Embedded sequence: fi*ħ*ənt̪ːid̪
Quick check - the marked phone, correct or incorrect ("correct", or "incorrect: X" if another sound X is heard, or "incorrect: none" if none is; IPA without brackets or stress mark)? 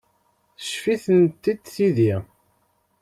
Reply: incorrect: θ